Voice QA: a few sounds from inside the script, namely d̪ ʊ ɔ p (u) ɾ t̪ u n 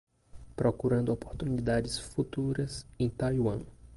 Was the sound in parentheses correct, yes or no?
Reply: no